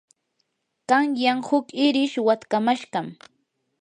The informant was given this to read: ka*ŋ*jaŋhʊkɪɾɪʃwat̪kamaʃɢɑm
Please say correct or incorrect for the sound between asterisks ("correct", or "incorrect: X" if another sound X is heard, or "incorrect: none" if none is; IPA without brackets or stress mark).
correct